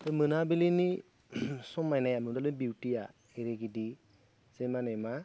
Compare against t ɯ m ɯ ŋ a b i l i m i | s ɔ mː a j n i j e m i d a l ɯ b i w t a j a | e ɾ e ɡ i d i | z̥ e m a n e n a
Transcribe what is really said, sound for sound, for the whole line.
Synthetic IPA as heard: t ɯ m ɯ n a b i l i n i | s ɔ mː a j n a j a m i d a l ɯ b i w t i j a | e ɾ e ɡ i d i | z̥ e m a n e m a